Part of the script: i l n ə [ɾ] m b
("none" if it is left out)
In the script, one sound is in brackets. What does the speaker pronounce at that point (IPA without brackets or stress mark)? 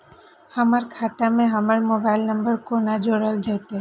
none